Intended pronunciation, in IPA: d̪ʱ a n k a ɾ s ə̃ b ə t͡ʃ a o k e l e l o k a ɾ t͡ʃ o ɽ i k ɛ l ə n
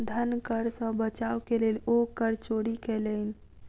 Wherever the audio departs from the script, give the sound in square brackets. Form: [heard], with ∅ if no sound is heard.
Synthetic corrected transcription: d̪ʱ [ə] n k [ə] ɾ s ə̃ b ə t͡ʃ a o k e l e l o k [ə] ɾ t͡ʃ o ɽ i k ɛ l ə n